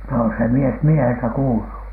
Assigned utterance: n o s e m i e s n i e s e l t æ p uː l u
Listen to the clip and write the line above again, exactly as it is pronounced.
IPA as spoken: n o s e m i e s m i e h e l t æ k uː l u